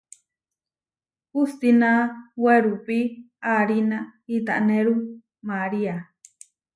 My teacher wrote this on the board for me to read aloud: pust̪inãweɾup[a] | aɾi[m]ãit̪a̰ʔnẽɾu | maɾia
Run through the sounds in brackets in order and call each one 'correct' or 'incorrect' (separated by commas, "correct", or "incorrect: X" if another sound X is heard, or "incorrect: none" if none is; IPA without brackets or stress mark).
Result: incorrect: i, incorrect: n